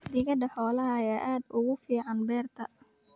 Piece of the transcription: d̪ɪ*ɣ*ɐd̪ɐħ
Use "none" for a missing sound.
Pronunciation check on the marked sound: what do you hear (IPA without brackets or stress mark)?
ɣ